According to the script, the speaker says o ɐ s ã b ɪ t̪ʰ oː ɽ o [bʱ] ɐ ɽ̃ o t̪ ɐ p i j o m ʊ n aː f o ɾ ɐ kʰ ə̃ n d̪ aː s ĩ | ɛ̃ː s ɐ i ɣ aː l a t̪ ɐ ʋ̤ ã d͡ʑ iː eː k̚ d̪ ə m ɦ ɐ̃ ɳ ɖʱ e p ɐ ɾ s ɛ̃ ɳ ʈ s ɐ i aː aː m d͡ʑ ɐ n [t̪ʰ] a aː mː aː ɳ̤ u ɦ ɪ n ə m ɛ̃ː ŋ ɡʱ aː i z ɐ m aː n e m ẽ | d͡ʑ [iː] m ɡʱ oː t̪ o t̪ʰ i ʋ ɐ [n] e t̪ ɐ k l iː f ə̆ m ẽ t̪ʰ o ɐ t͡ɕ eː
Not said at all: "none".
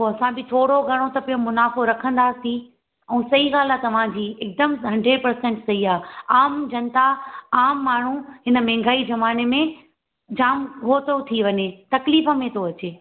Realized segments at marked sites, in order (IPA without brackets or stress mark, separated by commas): ɡʱ, t̪, aː, ɲ